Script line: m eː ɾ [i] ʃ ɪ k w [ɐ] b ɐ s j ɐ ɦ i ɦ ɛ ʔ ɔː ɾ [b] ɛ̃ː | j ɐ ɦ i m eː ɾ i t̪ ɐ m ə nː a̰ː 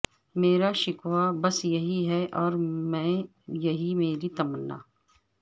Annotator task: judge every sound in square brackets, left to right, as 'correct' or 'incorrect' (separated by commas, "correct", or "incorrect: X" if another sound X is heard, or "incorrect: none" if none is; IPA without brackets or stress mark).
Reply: incorrect: a, incorrect: a, incorrect: m